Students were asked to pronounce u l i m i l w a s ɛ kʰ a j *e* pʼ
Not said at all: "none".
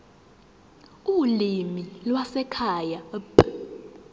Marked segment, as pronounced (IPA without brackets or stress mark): a